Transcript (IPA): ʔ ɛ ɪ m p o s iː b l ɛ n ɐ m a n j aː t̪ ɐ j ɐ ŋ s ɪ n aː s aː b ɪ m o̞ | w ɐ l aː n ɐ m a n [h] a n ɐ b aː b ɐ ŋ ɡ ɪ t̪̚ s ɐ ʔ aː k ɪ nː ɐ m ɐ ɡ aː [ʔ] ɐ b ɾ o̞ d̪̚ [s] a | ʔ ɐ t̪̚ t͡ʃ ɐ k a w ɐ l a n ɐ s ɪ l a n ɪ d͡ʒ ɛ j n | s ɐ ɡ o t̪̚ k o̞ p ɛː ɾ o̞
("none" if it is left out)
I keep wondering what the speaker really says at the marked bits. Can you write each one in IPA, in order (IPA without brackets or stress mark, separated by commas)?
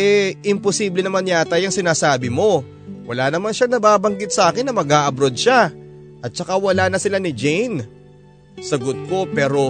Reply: ʃ, ʔ, ʃ